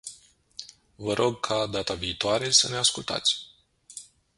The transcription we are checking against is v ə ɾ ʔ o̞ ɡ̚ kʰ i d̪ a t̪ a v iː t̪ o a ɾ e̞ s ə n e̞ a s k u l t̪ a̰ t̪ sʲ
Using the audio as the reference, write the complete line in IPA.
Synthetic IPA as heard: v ə ɾ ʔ o̞ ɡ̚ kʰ a d̪ a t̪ a v iː t̪ o a ɾ e̞ s ə n e̞ a s k u l t̪ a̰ t̪ sʲ